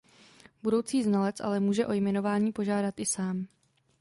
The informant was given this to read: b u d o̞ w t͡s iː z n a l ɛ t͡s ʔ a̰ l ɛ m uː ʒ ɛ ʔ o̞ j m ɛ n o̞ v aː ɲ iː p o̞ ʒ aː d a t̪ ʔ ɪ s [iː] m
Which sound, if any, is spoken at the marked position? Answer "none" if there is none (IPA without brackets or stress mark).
aː